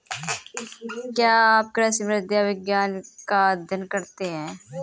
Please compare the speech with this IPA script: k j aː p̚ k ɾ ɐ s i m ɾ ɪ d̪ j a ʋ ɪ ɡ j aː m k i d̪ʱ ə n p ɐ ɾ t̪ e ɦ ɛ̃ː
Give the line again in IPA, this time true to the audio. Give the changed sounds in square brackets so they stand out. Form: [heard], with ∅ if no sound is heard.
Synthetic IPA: k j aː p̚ k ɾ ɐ s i m ɾ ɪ d̪ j a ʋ ɪ ɡ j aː [n] k [a] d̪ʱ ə n [k] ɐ ɾ t̪ e ɦ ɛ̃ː